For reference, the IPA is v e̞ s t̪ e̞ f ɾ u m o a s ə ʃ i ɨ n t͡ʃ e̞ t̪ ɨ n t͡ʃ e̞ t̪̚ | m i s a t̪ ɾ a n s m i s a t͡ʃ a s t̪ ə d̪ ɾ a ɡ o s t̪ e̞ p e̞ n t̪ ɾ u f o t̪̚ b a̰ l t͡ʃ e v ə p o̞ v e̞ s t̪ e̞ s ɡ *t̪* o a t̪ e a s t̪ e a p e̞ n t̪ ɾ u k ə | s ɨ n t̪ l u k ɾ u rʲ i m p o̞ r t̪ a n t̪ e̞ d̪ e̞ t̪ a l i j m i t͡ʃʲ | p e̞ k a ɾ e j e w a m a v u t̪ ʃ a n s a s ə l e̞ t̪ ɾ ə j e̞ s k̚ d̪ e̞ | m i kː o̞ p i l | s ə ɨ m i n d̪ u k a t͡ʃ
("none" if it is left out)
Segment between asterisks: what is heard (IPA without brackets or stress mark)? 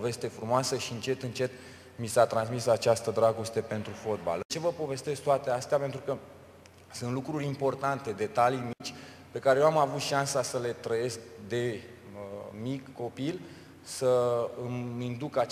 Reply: t̪